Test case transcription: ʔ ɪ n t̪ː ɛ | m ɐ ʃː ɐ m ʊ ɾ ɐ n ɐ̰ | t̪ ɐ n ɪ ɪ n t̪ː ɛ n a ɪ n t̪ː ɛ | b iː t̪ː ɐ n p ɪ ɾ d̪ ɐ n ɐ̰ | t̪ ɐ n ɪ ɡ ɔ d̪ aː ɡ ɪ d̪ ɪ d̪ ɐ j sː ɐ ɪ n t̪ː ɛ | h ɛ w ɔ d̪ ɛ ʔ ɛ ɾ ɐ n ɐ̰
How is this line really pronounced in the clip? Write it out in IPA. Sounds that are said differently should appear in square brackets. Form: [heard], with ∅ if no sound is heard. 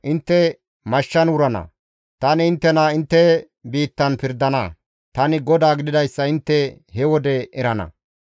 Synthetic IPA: ʔ ɪ n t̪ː ɛ | m ɐ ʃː ɐ [n] ʊ ɾ ɐ n ɐ̰ | t̪ ɐ n ɪ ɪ n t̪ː ɛ n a ɪ n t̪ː ɛ | b iː t̪ː ɐ n p ɪ ɾ d̪ ɐ n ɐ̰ | t̪ ɐ n ɪ ɡ ɔ d̪ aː ɡ ɪ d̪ ɪ d̪ ɐ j sː ɐ ɪ n t̪ː ɛ | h ɛ w ɔ d̪ ɛ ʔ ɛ ɾ ɐ n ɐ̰